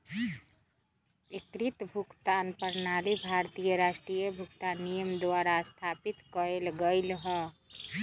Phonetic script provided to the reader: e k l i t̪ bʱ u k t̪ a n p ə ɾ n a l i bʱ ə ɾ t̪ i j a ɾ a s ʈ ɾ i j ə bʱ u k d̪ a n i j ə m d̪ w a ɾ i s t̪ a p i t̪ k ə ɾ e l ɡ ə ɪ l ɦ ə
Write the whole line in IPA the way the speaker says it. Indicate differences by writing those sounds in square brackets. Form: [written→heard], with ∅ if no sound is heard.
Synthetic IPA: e k [l→ɾ] i t̪ bʱ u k t̪ a n p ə ɾ n a l i bʱ [ə→a] ɾ t̪ i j [a→ə] ɾ a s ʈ ɾ i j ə bʱ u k [d̪→t̪] a n i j ə m d̪ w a ɾ [i→a] s [t̪→t̪ʰ] a p i t̪ k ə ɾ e l ɡ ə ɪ l ɦ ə

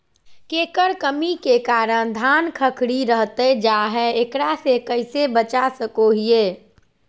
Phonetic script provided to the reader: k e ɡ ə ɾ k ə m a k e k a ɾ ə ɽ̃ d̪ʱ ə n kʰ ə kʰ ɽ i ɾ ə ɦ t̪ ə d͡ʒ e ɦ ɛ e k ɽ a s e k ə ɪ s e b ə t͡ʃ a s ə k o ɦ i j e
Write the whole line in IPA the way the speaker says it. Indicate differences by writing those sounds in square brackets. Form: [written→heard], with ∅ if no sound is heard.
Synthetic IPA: k e [ɡ→k] ə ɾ k ə m [a→i] k e k a ɾ ə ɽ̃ d̪ʱ [ə→a] n kʰ ə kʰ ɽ i ɾ ə ɦ t̪ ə d͡ʒ [e→a] ɦ ɛ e k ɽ a s e k ə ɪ s e b ə t͡ʃ a s ə k o ɦ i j e

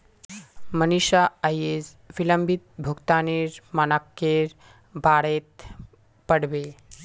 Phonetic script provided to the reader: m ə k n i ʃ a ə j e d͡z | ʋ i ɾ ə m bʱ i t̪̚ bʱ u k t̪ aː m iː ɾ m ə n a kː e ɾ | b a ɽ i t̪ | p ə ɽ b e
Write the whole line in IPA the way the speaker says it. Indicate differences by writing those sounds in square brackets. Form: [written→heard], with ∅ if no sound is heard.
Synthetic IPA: m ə [k→∅] n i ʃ a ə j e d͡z | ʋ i [ɾ→l] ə m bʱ i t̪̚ bʱ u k t̪ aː [m→n] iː ɾ m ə n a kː e ɾ | b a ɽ [i→e] t̪ | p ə ɽ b e

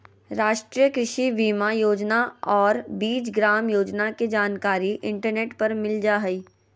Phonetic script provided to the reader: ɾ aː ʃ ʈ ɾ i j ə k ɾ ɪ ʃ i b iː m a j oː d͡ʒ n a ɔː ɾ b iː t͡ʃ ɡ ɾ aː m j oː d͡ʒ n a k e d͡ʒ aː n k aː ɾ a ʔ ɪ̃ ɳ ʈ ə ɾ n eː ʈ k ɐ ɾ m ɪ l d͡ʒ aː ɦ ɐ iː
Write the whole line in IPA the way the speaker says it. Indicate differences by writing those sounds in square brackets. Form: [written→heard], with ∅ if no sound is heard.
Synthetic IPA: ɾ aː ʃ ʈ ɾ i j ə k ɾ ɪ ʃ i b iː m a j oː d͡ʒ n a ɔː ɾ b iː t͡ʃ ɡ ɾ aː m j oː d͡ʒ n a k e d͡ʒ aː n k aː ɾ [a→i] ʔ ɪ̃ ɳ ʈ ə ɾ n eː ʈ [k→p] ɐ ɾ m ɪ l d͡ʒ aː ɦ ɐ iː

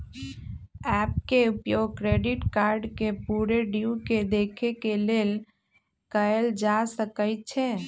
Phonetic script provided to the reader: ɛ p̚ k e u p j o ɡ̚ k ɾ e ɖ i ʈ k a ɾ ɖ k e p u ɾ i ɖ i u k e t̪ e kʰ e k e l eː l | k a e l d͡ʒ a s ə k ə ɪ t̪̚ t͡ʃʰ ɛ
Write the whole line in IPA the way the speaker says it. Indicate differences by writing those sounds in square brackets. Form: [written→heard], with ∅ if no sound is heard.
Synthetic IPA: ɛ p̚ k e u p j o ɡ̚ k ɾ e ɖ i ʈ k a ɾ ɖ k e p u ɾ [i→e] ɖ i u k e [t̪→d̪] e kʰ e k e l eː l | k [a→ə] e l d͡ʒ a s ə k ə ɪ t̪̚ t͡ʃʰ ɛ

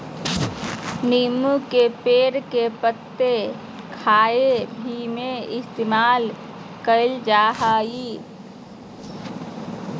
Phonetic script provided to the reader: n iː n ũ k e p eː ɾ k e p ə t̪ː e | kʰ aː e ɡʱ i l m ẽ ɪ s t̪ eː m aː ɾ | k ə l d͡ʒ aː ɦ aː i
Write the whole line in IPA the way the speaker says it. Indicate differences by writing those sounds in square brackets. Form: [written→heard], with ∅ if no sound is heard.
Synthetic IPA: n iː [n→m] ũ k e p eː ɾ k e p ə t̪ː e | kʰ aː e [ɡʱ→bʱ] i [l→∅] m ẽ ɪ s t̪ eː m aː [ɾ→l] | k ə l d͡ʒ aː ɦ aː i

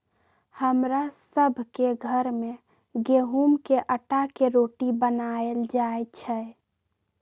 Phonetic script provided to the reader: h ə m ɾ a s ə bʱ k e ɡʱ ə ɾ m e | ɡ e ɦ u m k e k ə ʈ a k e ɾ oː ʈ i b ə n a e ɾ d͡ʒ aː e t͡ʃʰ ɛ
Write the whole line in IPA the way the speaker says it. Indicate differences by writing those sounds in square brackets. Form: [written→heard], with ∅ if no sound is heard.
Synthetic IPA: h ə m ɾ a s ə bʱ k e ɡʱ ə ɾ m e | ɡ e ɦ u m k e [k→ʔ] ə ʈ a k e ɾ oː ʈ i b ə n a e [ɾ→l] d͡ʒ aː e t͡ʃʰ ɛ

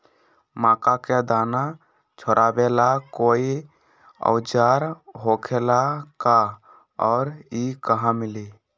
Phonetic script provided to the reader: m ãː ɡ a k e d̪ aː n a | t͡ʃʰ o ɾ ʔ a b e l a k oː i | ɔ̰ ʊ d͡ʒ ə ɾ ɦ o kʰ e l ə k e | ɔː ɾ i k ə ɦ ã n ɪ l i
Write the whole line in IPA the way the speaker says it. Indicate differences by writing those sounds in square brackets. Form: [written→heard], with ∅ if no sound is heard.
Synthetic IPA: m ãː [ɡ→k] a k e d̪ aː n a | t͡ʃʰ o ɾ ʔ a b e l a k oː i | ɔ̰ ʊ d͡ʒ [ə→a] ɾ ɦ o kʰ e l [ə→a] k [e→a] | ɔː ɾ i k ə ɦ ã [n→m] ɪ l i

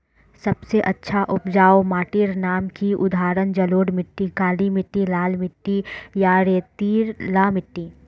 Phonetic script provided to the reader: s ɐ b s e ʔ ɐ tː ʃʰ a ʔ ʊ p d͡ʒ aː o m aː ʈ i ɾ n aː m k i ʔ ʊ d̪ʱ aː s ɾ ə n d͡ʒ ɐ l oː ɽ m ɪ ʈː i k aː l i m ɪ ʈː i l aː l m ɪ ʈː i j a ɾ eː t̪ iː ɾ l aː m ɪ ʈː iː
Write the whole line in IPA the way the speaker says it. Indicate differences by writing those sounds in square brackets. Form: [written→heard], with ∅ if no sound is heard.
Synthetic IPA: s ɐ b s e ʔ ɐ tː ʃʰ a ʔ ʊ p d͡ʒ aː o m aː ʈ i ɾ n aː m k i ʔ ʊ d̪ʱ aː [s→∅] ɾ ə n d͡ʒ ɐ l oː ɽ m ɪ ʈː i k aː l i m ɪ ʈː i l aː l m ɪ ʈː i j a ɾ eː t̪ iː ɾ l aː m ɪ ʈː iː

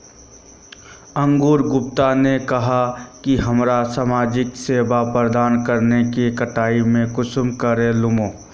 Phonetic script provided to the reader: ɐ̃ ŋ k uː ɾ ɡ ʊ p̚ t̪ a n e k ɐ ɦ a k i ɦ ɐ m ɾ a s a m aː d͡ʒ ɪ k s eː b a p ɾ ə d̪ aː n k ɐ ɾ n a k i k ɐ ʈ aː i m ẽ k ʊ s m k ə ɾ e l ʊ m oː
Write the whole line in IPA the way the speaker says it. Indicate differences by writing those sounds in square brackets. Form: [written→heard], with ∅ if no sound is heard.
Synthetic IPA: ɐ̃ ŋ [k→ɡ] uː ɾ ɡ ʊ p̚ t̪ a n e k ɐ ɦ a k i ɦ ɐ m ɾ a s a m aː d͡ʒ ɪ k s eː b a p ɾ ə d̪ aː n k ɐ ɾ n [a→e] k i k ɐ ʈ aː i m ẽ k ʊ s m k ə ɾ e l ʊ m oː

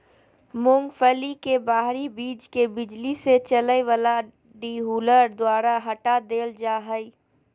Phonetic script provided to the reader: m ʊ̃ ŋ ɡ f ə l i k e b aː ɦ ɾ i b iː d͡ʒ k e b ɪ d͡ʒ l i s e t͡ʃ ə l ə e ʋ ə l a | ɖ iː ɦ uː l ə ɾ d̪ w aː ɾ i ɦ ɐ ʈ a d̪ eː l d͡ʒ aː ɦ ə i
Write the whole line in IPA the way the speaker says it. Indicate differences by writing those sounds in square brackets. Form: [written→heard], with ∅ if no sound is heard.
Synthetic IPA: m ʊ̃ ŋ ɡ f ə l i k e b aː ɦ ɾ i b iː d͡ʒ k e b ɪ d͡ʒ l i s e t͡ʃ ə l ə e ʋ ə l a | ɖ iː ɦ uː l ə ɾ d̪ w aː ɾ [i→a] ɦ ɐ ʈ a d̪ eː l d͡ʒ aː ɦ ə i

